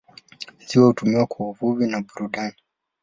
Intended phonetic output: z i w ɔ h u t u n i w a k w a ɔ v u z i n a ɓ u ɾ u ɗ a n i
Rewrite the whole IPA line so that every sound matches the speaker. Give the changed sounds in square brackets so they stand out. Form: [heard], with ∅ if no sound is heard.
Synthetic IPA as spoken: z i w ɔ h u t u [m] i w a k w a [u] v u [v] i n a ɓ u ɾ u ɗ a n i

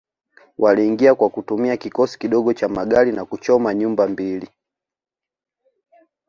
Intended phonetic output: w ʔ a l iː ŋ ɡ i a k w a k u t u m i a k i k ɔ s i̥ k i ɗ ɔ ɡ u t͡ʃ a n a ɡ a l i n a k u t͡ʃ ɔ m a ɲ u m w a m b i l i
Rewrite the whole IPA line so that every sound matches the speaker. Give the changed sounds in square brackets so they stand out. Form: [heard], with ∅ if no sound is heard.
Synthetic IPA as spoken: w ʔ a l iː ŋ ɡ i a k w a k u t u m i a k i k ɔ s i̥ k i ɗ ɔ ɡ [ɔ] t͡ʃ a [m] a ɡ a l i n a k u t͡ʃ ɔ m a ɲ u m [b] a m b i l i

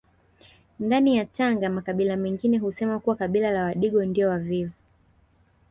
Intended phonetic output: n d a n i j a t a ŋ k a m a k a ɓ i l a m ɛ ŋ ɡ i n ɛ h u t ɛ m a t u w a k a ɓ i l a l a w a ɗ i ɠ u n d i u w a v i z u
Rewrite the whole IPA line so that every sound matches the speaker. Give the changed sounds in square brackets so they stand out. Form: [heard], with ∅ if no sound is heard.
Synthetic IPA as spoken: n d a n i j a t a ŋ [ɡ] a m a k a ɓ i l a m ɛ ŋ ɡ i n ɛ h u [s] ɛ m a [k] u w a k a ɓ i l a l a w a ɗ i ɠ [ɔ] n d i [ɔ] w a v i [v] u

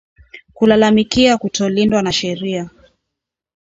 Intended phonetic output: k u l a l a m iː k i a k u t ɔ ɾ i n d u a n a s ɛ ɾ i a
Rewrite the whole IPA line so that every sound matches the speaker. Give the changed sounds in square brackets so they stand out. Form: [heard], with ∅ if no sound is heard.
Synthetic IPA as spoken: k u l a l a m [i] k i a k u t ɔ [l] i n d [w] a n a [ʃ] ɛ ɾ i a

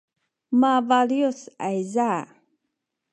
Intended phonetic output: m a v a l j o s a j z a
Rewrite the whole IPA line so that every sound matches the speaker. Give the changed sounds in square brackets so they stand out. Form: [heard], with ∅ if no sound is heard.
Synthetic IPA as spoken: m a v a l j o s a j z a

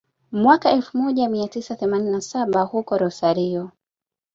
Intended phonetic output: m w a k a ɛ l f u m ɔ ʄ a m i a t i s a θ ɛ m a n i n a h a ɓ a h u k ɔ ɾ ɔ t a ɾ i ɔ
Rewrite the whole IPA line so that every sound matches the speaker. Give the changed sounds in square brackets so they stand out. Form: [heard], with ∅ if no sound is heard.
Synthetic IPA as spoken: m w a k a ɛ l f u m ɔ ʄ a m i a t i s a θ ɛ m a n i n a [s] a ɓ a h u k ɔ ɾ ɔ [s] a ɾ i ɔ

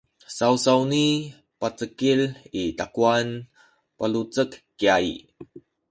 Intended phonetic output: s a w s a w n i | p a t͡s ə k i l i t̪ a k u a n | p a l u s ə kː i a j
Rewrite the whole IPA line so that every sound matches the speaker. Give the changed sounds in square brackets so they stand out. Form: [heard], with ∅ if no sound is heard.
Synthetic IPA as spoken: s a w s a w n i | p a t͡s ə k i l i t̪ a k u a n | p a l u [t͡s] ə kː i a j

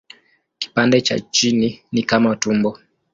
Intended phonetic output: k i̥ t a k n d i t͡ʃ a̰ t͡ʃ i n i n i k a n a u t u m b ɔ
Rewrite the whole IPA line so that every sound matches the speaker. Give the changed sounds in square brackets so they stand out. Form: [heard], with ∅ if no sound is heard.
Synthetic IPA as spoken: k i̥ [p] a [∅] n d [ɛ] t͡ʃ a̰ t͡ʃ i n i n i k a [m] a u t u m b ɔ

